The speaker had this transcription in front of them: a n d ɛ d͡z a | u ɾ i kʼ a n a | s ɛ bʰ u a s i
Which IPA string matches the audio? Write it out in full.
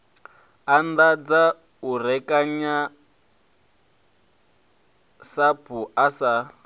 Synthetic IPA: a n d a d͡z a | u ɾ ɛ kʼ a ɲ a | s a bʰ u a s a